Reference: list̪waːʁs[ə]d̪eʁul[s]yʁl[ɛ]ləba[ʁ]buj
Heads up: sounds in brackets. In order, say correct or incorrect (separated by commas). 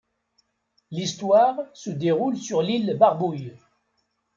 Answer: correct, correct, incorrect, correct